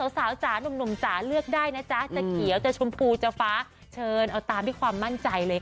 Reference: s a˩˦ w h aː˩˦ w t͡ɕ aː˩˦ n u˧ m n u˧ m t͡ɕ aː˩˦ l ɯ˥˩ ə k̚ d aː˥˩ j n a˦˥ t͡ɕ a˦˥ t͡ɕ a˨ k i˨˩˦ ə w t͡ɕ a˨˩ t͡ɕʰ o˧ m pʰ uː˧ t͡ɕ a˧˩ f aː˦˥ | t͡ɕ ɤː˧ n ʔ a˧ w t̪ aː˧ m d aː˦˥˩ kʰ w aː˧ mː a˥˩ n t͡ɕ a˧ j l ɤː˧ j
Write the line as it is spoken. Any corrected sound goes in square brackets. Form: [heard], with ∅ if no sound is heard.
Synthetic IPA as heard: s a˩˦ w [s] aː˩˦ w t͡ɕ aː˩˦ n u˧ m n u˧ m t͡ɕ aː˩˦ l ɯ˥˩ ə k̚ d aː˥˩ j n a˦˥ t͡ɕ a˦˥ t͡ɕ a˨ k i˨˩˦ ə w t͡ɕ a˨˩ t͡ɕʰ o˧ m pʰ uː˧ t͡ɕ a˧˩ f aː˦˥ | [t͡ɕʰ] ɤː˧ n ʔ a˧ w t̪ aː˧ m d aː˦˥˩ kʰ w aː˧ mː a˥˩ n t͡ɕ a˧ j l ɤː˧ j